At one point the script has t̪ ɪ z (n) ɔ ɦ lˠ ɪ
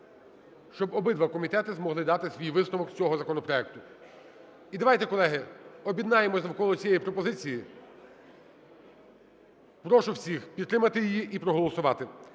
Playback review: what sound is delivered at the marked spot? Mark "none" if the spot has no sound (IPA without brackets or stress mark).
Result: m